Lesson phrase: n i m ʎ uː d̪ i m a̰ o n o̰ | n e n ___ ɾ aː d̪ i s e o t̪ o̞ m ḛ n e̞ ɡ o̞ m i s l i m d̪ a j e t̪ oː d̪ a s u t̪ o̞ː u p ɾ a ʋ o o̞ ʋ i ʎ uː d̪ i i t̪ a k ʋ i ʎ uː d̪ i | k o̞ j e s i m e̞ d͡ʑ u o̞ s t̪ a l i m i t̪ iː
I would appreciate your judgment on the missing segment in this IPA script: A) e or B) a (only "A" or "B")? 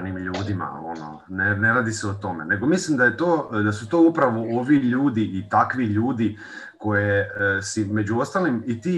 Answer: A